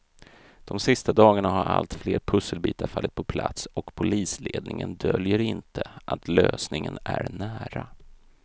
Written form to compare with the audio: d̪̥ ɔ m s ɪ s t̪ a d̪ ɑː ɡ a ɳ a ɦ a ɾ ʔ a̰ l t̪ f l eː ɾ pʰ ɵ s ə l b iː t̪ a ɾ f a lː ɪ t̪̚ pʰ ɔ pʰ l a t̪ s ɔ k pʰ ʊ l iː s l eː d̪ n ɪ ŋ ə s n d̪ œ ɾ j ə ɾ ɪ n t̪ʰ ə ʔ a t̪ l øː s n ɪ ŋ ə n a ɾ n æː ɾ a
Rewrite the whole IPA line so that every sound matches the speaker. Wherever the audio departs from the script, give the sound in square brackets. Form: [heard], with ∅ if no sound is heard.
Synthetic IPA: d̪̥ ɔ m s ɪ s t̪ a d̪ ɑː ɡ a ɳ a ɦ a ɾ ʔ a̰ l t̪ f l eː ɾ pʰ ɵ s ə l b iː t̪ a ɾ f a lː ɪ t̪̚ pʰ ɔ pʰ l a t̪ s ɔ k pʰ ʊ l iː s l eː d̪ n ɪ ŋ ə [∅] n d̪ œ [l] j ə ɾ ɪ n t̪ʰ ə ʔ a t̪ l øː s n ɪ ŋ ə n [æ] ɾ n æː ɾ a